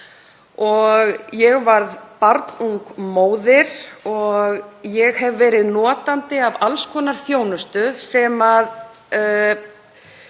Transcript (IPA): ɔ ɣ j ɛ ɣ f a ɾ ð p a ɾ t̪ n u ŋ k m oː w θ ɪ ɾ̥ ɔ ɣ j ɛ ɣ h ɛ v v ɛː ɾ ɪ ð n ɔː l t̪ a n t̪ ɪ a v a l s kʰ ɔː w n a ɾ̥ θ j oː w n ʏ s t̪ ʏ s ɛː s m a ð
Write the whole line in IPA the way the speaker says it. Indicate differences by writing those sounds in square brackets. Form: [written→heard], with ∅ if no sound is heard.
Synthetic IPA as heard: ɔ ɣ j ɛ ɣ [f→v] a ɾ ð p a ɾ t̪ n u ŋ k m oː w [θ→ð] ɪ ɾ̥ ɔ ɣ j ɛ ɣ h ɛ v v ɛː ɾ ɪ ð n ɔː [l→∅] t̪ a n t̪ ɪ a v a l s kʰ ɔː [w→∅] n a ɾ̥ θ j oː w n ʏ s t̪ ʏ s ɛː [s→∅] m a ð